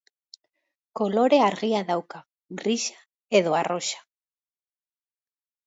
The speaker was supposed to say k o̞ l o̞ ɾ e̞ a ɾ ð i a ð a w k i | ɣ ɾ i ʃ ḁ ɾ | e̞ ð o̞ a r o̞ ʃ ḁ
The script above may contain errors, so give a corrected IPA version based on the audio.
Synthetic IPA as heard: k o̞ l o̞ ɾ e̞ a ɾ ɣ i a ð a w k a | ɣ ɾ i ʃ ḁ | e̞ ð o̞ a r o̞ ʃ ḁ